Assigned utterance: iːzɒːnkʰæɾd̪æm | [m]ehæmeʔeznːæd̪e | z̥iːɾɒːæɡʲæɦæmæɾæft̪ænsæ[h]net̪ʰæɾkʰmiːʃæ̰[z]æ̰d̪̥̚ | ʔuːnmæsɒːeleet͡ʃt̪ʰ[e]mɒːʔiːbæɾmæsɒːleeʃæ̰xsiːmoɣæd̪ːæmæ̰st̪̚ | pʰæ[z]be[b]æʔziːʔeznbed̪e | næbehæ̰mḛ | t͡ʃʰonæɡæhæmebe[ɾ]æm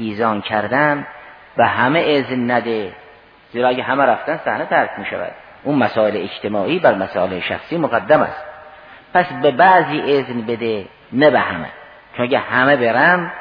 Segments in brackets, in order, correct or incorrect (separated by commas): incorrect, correct, incorrect, correct, incorrect, correct, correct